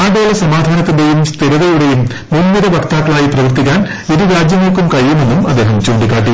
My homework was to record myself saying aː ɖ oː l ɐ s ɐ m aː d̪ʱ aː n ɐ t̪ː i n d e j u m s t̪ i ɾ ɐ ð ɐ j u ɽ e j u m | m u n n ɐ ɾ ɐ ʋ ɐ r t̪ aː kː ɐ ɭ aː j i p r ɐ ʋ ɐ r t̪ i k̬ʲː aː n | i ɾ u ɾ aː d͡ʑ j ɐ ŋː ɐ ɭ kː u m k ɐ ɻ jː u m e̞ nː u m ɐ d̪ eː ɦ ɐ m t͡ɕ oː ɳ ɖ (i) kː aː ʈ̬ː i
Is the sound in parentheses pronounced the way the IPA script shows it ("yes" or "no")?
yes